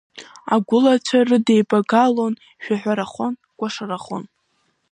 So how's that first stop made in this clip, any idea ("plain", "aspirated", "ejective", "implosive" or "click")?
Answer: plain